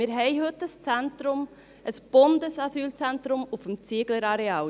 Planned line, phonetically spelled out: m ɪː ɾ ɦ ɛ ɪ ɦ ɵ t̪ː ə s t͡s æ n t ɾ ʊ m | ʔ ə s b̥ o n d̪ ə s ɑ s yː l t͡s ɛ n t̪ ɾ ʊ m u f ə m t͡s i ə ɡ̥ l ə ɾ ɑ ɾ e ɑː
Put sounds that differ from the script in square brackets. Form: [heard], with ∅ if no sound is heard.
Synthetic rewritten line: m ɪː ɾ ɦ ɛ ɪ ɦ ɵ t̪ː ə s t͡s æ n t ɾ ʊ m | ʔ ə s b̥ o n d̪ ə s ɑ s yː l t͡s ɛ n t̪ ɾ ʊ m u f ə m t͡s i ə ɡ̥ l ə ɾ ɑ ɾ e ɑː